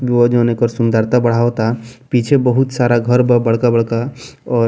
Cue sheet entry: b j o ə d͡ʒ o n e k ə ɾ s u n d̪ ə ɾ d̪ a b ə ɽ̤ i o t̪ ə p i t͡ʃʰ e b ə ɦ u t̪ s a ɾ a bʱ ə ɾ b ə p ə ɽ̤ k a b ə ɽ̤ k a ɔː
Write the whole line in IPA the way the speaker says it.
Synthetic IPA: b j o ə d͡ʒ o n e k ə ɾ s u n d̪ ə ɾ t̪ a b ə ɽ̤ a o t̪ a p i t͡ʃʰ e b ə ɦ u t̪ s a ɾ a ɡʱ ə ɾ b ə b ə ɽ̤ k a b ə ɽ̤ k a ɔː